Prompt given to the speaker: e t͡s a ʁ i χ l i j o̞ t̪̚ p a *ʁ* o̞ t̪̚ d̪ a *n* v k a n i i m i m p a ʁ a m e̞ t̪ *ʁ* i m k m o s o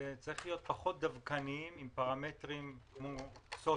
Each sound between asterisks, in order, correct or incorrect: incorrect: χ, incorrect: none, correct

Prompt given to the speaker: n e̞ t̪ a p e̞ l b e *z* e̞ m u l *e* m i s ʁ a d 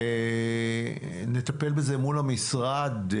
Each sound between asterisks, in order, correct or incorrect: correct, incorrect: a

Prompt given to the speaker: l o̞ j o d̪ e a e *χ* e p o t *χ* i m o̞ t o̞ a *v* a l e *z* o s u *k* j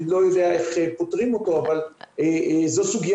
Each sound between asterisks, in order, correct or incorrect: correct, incorrect: ʁ, correct, correct, incorrect: ɡ

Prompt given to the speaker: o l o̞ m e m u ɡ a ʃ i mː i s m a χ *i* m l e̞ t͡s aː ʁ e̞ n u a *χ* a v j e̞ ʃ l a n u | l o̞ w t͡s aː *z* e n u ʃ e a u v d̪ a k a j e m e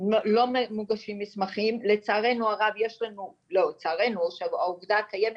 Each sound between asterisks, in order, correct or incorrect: correct, incorrect: ʁ, incorrect: ʁ

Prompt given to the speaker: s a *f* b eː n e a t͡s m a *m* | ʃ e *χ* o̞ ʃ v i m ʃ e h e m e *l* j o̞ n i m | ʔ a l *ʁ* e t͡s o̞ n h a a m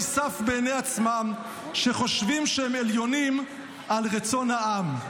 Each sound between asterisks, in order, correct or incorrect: correct, correct, correct, correct, correct

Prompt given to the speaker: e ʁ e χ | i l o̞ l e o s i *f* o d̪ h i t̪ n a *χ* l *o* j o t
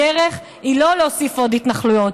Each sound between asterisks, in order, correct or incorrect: correct, correct, incorrect: u

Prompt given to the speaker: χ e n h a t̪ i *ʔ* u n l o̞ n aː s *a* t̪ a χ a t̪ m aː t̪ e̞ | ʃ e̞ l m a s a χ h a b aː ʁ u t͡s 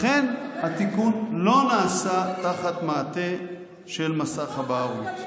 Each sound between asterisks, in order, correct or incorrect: incorrect: k, correct

